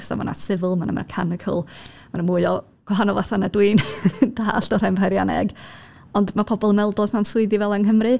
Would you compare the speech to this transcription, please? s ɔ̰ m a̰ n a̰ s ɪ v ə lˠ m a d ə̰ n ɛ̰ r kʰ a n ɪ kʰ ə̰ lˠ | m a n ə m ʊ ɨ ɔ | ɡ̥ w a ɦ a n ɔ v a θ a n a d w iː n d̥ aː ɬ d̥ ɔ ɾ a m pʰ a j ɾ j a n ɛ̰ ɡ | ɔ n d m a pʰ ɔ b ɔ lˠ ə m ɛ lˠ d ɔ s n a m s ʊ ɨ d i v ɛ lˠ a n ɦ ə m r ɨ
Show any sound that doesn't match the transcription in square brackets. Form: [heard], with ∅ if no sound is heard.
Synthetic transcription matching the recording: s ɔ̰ m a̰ n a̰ s ɪ v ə lˠ m a [n] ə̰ [m] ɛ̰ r kʰ a n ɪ kʰ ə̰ lˠ | m a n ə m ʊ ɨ ɔ | ɡ̥ w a ɦ a n ɔ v a θ a n a d w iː n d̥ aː ɬ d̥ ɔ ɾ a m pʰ a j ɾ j a n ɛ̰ ɡ | ɔ n d m a pʰ ɔ b ɔ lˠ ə m ɛ lˠ d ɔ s n a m s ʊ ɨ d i v ɛ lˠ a n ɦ ə m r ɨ

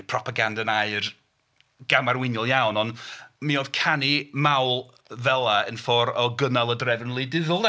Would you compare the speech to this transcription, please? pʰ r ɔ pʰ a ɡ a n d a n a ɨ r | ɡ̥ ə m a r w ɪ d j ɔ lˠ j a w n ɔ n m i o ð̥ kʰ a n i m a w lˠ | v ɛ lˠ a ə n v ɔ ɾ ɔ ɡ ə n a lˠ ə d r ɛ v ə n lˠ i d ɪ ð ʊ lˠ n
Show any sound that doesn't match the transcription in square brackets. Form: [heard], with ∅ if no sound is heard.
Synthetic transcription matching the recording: pʰ r ɔ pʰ a ɡ a n d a n a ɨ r | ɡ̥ [a] m a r w ɪ [n] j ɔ lˠ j a w n ɔ n m i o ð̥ kʰ a n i m a w lˠ | v ɛ lˠ a ə n [f] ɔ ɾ ɔ ɡ ə n a lˠ ə d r ɛ v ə n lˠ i d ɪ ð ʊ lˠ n

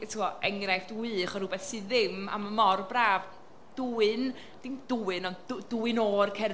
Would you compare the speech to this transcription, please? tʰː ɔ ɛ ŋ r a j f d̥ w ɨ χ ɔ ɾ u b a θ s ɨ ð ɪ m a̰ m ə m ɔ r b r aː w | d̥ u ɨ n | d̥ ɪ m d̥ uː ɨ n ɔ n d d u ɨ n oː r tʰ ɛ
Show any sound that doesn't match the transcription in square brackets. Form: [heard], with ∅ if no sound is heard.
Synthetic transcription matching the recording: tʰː ɔ ɛ ŋ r a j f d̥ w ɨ χ ɔ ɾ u b [ɛ] θ s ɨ ð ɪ m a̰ m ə m ɔ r b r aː [v] | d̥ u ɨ n | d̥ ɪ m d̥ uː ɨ n ɔ n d d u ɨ n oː r [kʰ] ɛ

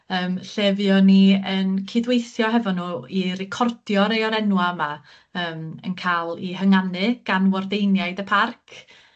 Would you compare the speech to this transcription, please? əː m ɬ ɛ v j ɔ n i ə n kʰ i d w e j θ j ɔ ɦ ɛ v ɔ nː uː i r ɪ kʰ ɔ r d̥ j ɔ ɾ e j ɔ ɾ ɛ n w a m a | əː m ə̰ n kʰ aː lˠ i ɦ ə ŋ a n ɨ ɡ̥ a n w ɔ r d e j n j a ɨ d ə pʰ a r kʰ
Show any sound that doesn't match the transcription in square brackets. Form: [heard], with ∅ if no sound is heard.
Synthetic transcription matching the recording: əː m ɬ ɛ v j ɔ n i ə n kʰ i d w e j θ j ɔ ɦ ɛ v ɔ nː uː i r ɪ kʰ ɔ r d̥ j ɔ ɾ e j ɔ ɾ ɛ n w a m a | əː m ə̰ n kʰ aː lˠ i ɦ ə ŋ a n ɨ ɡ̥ a n w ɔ r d e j n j a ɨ d ə pʰ a r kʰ

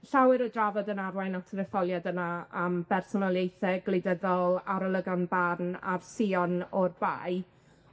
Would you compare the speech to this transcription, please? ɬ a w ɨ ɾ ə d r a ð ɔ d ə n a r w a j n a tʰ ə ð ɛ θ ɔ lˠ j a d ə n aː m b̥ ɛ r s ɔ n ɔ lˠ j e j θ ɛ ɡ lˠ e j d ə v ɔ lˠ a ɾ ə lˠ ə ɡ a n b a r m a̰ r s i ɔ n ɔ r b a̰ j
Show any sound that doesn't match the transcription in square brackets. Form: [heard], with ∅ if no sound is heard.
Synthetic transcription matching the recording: ɬ a w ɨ ɾ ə d r a [v] ɔ d ə n a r w a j n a tʰ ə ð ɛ [f] ɔ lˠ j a d ə n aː m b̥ ɛ r s ɔ n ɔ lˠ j e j θ ɛ ɡ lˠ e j d ə [ð] ɔ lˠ a ɾ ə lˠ ə ɡ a n b a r [n] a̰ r s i ɔ n ɔ r b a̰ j

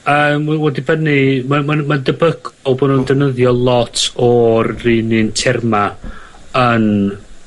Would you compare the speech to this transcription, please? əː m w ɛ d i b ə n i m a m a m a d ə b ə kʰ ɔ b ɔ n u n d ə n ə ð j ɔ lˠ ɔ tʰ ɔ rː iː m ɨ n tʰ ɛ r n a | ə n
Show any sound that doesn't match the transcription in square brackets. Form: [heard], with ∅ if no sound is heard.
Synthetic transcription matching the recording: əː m w ɛ d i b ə n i m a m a m a d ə b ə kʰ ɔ b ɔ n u n d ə n ə ð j ɔ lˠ ɔ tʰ ɔ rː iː [n] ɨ n tʰ ɛ r [m] a | ə n

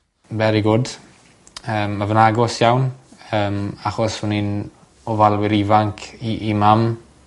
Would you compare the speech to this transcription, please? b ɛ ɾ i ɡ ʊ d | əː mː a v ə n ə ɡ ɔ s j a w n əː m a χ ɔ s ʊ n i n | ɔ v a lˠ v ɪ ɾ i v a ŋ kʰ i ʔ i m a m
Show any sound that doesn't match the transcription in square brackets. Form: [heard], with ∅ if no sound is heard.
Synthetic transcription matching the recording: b ɛ ɾ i ɡ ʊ d | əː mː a v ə n [a] ɡ ɔ s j a w n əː m a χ ɔ s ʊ n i n | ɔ v a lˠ [w] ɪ ɾ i v a ŋ kʰ i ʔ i m a m

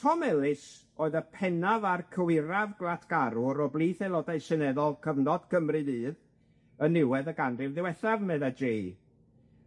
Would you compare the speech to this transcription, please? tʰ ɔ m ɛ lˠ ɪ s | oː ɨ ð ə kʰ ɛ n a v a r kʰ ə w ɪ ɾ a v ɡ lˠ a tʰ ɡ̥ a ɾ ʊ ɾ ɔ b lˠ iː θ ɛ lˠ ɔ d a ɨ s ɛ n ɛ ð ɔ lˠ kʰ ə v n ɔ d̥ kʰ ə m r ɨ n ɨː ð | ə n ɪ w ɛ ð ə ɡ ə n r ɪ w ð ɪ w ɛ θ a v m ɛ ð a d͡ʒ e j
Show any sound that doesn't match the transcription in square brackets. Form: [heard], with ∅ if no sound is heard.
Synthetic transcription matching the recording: tʰ ɔ m ɛ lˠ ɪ s | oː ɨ ð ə [pʰ] ɛ n a v a r kʰ ə w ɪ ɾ a v ɡ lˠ a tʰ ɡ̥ a ɾ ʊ ɾ ɔ b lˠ iː θ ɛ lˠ ɔ d a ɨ s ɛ n ɛ ð ɔ lˠ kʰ ə v n ɔ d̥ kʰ ə m r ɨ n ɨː ð | ə n ɪ w ɛ ð ə ɡ [a] n r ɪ [v] ð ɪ w ɛ θ a v m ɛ ð a d͡ʒ e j

